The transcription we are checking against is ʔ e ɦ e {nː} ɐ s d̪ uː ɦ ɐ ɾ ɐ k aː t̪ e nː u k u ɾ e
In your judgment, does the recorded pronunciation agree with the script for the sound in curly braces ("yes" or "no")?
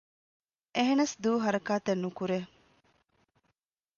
no